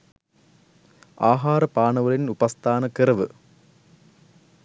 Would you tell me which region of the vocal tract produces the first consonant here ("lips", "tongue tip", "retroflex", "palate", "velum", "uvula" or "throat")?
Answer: throat